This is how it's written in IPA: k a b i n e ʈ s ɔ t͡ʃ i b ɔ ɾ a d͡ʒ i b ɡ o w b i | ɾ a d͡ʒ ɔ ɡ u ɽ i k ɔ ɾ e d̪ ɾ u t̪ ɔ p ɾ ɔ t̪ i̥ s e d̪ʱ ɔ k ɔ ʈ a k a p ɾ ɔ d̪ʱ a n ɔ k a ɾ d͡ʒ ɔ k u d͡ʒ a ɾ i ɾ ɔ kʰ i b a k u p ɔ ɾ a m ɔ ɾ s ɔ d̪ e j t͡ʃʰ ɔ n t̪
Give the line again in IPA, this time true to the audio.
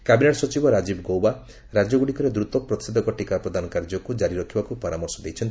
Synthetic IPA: k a b i n e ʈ s ɔ t͡ʃ i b ɔ ɾ a d͡ʒ i b ɡ o w b a | ɾ a d͡ʒ ɔ ɡ u ɽ i k ɔ ɾ e d̪ ɾ u t̪ ɔ p ɾ ɔ t̪ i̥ s e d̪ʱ ɔ k ɔ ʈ i k a p ɾ ɔ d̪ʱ a n ɔ k a ɾ d͡ʒ ɔ k u d͡ʒ a ɾ i ɾ ɔ kʰ i b a k u p ɔ ɾ a m ɔ ɾ s ɔ d̪ e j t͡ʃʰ ɔ n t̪